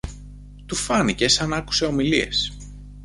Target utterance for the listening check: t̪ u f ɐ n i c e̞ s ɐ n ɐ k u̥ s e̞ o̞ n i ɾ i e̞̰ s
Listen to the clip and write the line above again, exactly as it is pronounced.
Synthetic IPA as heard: t̪ u f ɐ n i c e̞ s ɐ n ɐ k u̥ s e̞ o̞ m i l i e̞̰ s